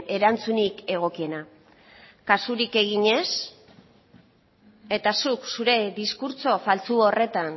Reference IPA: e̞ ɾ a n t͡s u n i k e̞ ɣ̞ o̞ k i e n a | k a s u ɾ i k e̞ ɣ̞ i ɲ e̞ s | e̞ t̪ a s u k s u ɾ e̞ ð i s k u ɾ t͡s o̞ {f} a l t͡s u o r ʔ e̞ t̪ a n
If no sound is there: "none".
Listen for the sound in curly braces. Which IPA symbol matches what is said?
f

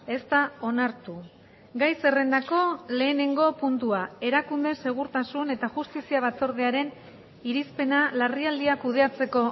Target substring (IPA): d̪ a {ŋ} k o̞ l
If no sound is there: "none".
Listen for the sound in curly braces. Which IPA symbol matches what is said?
none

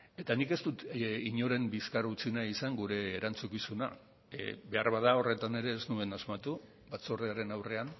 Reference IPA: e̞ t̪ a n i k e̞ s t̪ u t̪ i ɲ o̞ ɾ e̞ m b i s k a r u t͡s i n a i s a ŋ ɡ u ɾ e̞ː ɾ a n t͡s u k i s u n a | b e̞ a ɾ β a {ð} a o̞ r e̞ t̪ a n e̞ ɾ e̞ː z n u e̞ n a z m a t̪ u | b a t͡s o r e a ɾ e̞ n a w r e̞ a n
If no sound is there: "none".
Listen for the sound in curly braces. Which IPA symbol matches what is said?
ð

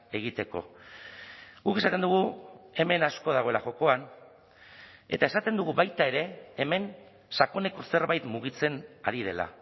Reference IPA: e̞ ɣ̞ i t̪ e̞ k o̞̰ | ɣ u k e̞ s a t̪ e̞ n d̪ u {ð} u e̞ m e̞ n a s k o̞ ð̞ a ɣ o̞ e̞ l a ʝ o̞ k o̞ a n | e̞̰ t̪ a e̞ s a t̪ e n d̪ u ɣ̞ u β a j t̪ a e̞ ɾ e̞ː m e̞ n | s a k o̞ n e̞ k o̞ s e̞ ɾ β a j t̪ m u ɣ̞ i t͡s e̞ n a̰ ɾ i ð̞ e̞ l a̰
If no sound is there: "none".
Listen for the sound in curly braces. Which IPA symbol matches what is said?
ɣ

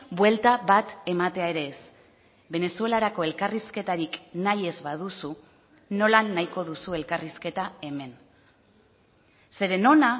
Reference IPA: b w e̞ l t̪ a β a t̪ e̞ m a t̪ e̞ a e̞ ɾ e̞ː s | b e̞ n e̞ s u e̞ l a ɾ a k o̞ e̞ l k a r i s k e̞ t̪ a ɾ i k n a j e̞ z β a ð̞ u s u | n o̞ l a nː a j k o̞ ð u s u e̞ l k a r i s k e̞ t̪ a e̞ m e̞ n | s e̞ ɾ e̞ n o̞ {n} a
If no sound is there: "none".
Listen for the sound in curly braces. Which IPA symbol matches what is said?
n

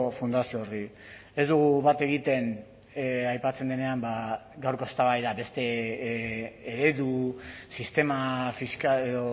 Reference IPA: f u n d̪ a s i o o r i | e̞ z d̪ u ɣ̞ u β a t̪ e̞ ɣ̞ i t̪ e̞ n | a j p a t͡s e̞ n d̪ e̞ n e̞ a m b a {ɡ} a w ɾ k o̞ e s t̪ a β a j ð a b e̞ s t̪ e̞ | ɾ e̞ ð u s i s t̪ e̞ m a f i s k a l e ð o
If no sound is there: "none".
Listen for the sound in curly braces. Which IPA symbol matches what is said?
ɡ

